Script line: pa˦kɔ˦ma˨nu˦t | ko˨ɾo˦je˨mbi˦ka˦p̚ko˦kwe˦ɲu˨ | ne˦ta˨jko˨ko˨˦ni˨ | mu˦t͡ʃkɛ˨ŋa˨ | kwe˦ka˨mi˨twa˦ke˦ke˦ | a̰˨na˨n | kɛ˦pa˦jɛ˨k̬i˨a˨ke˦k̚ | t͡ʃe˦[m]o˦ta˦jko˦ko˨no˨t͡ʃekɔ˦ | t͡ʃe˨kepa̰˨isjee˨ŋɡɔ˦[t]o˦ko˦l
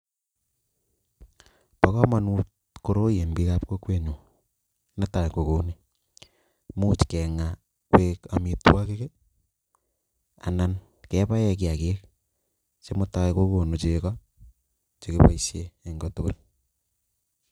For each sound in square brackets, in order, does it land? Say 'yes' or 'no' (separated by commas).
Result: yes, yes